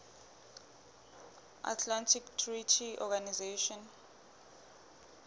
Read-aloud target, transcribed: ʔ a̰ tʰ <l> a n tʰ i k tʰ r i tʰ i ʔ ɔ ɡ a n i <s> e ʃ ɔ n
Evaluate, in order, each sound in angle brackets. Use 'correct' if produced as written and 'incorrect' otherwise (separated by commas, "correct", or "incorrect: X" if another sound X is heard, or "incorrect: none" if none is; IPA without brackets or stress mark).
correct, incorrect: z